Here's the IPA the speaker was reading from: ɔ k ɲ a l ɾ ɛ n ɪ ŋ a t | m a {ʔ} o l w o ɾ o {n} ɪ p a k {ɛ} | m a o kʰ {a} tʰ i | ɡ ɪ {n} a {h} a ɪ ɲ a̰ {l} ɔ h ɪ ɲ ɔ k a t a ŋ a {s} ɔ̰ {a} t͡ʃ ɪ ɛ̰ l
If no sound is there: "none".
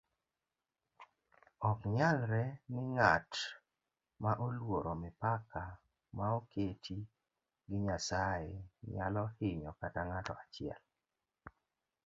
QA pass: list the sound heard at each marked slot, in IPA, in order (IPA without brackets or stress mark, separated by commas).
ʔ, m, a, e, ɲ, s, l, t, a